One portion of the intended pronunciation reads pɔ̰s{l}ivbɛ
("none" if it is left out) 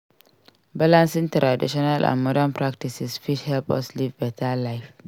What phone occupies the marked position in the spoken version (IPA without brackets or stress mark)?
l